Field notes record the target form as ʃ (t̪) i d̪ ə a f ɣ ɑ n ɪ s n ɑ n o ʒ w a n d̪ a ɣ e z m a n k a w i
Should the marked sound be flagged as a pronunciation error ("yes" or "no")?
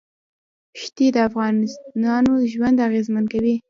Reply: no